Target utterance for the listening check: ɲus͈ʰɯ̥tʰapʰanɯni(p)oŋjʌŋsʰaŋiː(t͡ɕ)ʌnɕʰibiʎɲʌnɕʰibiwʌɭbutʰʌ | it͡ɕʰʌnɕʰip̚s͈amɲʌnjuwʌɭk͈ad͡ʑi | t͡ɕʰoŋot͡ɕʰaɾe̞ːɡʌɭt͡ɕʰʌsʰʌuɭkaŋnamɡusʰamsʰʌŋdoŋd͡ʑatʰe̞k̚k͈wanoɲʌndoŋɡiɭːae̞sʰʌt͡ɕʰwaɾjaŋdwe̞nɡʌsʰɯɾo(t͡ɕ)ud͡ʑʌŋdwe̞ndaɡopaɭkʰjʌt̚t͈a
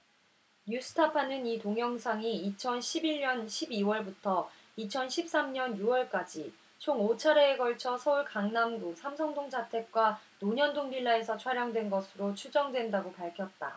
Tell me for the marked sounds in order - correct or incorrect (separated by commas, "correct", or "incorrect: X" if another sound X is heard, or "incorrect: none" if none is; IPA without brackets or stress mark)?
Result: incorrect: t, incorrect: t͡ɕʰ, incorrect: t͡ɕʰ